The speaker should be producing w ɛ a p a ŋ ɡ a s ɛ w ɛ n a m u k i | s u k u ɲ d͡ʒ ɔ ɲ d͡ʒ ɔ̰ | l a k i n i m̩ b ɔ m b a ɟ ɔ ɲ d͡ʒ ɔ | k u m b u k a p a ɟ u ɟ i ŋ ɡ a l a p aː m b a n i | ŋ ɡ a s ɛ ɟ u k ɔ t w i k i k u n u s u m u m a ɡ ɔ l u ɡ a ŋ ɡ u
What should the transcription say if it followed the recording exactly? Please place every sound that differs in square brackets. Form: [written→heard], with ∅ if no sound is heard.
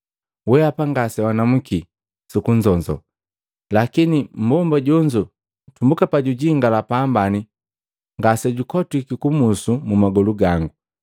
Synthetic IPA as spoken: w ɛ a p a ŋ ɡ a s ɛ w [ɛ→a] n a m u k i | s u k u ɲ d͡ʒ ɔ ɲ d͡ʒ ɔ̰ | l a k i n i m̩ b ɔ m b a ɟ ɔ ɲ d͡ʒ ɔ | [k→t] u m b u k a p a ɟ u ɟ i ŋ ɡ a l a p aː m b a n i | ŋ ɡ a s ɛ ɟ u k ɔ t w i k i k u [n→m] u s u m u m a ɡ ɔ l u ɡ a ŋ ɡ u